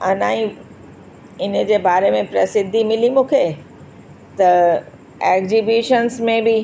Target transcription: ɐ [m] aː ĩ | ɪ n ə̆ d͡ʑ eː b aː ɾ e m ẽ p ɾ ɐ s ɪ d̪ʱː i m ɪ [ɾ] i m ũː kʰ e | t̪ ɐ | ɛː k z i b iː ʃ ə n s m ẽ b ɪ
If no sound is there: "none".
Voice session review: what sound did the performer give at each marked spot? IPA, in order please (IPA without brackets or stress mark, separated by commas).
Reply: n, l